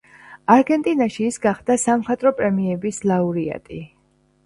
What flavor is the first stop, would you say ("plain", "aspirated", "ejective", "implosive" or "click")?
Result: plain